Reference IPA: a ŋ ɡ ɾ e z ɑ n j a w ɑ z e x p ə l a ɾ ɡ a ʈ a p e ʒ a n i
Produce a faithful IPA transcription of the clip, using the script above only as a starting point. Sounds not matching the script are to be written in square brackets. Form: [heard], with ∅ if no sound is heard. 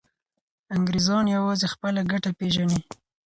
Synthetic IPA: a ŋ ɡ ɾ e z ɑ n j a w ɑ z e x p ə l a [∅] ɡ a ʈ a p e ʒ a n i